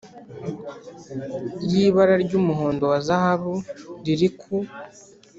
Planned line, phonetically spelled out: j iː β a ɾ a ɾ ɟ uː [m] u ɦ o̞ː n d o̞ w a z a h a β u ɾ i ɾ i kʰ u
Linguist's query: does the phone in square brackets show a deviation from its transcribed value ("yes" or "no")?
no